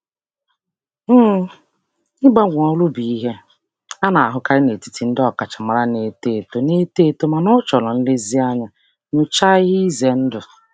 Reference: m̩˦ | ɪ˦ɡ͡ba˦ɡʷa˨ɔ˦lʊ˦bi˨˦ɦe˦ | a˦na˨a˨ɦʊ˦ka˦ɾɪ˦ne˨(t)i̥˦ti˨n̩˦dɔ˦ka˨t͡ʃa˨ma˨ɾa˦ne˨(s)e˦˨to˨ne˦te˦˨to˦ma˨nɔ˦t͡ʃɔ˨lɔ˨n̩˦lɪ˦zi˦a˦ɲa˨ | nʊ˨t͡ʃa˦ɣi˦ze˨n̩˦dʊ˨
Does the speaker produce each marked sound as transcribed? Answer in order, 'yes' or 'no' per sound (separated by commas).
yes, no